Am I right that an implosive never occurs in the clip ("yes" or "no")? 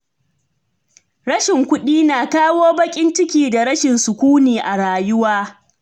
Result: no